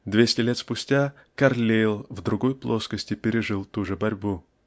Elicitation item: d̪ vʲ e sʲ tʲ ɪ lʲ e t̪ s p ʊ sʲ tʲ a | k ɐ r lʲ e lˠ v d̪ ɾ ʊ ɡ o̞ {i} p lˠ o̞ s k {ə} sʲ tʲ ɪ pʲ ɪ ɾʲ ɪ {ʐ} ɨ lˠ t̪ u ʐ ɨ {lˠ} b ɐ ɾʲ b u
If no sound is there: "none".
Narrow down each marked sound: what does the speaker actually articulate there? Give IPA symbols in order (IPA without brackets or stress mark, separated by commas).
j, ə, ʐ, none